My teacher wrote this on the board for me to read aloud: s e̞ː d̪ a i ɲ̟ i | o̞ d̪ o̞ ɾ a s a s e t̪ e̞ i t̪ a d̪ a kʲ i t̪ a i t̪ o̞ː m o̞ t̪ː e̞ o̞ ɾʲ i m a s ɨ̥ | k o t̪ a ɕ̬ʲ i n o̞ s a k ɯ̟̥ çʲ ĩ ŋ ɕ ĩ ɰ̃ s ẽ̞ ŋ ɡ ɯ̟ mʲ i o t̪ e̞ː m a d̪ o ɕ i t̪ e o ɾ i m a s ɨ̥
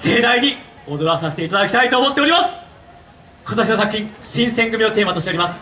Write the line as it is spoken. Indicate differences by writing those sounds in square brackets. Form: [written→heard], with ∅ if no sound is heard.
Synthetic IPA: s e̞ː d̪ a i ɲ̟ i | o̞ d̪ o̞ ɾ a s a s e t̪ e̞ i t̪ a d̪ a kʲ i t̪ a i t̪ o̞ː m o̞ t̪ː e̞ o̞ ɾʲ i m a s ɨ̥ | k o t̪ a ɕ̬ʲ i n o̞ s a k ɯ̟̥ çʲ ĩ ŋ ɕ ĩ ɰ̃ s ẽ̞ ŋ ɡ ɯ̟ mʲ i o t̪ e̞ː m a [d̪→t̪] o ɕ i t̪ e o ɾ i m a s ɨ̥